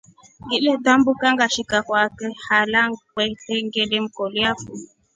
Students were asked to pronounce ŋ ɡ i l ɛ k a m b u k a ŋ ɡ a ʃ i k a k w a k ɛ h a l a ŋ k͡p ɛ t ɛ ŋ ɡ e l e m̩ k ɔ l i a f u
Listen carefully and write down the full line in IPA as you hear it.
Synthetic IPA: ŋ ɡ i l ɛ t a m b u k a ŋ ɡ a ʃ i k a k w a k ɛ h a l a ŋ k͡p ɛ t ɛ ŋ ɡ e l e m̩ k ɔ l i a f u